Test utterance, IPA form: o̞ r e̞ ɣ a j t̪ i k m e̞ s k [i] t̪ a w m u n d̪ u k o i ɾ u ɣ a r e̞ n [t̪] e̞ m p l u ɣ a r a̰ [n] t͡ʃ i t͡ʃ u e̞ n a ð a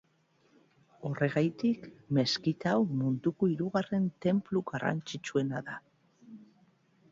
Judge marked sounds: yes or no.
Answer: yes, yes, yes

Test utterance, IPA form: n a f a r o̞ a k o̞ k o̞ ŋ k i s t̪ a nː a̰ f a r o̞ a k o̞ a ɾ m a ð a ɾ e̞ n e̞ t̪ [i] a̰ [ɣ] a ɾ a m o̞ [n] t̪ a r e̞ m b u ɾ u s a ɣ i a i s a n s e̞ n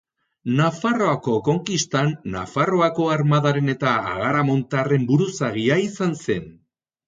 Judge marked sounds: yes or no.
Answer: no, yes, yes

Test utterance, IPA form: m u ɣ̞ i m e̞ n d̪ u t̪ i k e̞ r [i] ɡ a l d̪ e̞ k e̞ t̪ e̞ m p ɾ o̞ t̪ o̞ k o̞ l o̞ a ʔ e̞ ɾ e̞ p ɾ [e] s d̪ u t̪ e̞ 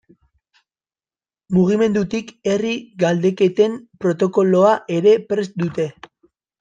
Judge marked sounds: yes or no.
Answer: yes, yes

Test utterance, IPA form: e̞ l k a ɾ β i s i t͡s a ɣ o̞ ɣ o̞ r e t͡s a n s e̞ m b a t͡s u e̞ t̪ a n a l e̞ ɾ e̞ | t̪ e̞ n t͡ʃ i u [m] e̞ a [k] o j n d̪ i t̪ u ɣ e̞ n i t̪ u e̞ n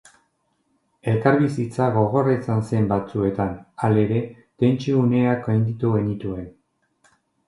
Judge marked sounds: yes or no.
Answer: no, yes

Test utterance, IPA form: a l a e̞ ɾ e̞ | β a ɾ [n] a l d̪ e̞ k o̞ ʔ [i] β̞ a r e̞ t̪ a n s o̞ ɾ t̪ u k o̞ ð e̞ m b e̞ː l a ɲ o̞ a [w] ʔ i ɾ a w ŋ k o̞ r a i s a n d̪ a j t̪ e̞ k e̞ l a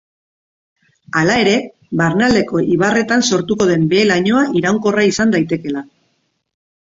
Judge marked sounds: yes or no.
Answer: yes, yes, no

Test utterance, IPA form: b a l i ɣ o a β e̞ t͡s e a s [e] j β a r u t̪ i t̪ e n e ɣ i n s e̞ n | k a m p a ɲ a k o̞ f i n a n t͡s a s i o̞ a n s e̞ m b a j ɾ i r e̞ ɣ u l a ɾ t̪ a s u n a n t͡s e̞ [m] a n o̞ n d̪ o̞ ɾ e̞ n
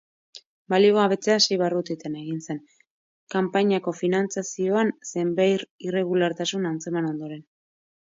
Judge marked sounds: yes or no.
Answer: yes, yes

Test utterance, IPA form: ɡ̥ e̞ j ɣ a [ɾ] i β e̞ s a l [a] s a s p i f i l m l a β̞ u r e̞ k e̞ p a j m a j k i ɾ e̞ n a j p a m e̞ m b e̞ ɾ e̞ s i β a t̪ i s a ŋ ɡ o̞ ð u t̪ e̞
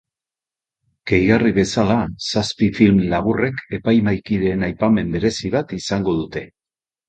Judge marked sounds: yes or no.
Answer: no, yes

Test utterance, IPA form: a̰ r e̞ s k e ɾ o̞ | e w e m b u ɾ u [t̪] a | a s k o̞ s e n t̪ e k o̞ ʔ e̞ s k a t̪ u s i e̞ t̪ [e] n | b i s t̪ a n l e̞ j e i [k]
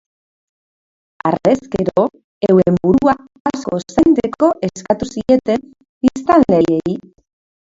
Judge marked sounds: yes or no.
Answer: no, yes, no

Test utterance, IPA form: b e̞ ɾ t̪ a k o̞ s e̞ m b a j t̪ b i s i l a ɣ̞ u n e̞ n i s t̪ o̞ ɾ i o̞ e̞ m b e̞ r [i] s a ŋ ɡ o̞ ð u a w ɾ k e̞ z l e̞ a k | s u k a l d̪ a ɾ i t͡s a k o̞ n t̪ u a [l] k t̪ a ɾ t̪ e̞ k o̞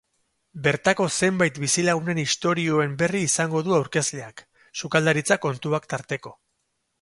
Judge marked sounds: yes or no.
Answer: no, no

